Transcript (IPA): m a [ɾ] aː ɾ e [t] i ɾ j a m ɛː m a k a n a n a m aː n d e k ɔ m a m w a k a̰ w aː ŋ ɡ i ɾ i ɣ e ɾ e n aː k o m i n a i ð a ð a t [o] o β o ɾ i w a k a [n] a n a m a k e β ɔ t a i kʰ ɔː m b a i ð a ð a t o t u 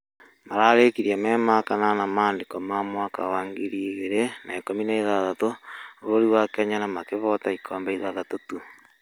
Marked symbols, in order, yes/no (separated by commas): yes, no, yes, no